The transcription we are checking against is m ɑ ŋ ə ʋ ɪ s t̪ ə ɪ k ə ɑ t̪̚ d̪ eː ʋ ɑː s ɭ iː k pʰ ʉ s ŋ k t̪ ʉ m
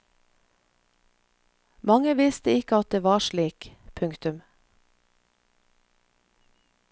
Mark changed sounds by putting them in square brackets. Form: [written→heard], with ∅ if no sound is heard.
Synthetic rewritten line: m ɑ ŋ ə ʋ ɪ s t̪ ə ɪ k ə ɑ t̪̚ d̪ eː ʋ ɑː [s→ʃ] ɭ iː k pʰ ʉ [s→∅] ŋ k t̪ ʉ m